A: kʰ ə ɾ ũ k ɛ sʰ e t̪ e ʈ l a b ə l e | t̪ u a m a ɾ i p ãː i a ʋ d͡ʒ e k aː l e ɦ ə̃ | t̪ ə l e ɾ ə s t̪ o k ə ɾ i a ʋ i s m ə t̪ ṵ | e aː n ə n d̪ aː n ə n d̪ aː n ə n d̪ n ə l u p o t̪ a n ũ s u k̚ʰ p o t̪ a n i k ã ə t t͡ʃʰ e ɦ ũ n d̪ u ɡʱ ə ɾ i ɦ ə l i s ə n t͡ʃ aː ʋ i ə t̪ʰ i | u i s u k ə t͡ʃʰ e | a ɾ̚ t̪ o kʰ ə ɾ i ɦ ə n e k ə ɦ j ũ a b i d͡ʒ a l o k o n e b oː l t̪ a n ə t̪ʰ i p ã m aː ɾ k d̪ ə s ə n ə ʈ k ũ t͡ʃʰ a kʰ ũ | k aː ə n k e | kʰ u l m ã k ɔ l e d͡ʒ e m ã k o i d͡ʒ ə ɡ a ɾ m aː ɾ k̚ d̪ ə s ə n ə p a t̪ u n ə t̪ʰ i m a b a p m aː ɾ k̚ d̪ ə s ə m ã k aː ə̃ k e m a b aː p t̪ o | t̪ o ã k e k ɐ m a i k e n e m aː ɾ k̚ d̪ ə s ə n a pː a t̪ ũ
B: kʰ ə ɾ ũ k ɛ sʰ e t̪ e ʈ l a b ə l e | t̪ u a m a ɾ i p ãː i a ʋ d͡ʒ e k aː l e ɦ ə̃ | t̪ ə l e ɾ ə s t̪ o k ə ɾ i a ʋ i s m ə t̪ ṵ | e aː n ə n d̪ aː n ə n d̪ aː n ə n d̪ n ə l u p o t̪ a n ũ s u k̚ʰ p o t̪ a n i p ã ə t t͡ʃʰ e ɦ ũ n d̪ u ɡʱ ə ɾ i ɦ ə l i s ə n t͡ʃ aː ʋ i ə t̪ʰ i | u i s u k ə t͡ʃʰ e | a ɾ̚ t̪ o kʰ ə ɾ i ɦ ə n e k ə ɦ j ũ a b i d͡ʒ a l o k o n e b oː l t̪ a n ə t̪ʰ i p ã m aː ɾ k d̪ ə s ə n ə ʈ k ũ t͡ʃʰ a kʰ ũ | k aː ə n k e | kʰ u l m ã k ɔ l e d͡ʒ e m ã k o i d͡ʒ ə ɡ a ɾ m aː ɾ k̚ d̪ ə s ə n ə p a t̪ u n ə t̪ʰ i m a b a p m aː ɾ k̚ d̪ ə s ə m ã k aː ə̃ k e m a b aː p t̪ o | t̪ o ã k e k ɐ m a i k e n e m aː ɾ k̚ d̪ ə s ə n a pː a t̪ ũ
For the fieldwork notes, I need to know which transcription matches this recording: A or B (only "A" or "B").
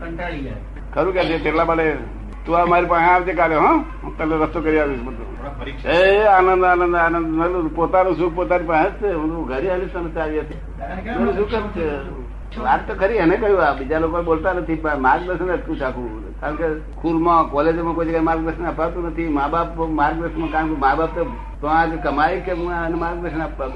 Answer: B